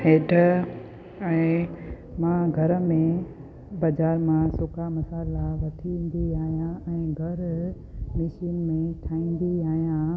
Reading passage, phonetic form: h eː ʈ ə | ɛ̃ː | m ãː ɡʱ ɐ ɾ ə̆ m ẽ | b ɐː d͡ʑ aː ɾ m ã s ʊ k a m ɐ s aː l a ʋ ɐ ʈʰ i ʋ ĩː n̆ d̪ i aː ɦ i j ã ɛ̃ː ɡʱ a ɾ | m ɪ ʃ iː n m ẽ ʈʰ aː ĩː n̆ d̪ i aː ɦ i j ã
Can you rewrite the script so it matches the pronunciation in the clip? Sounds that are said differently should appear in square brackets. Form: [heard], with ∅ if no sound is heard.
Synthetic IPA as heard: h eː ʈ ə | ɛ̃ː | m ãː ɡʱ ɐ ɾ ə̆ m ẽ | b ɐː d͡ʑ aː ɾ m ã s ʊ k a m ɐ s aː l a ʋ ɐ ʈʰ i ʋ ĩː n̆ d̪ i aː ɦ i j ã ɛ̃ː ɡʱ [ɐ] ɾ | m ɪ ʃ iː n m ẽ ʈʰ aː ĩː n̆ d̪ i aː ɦ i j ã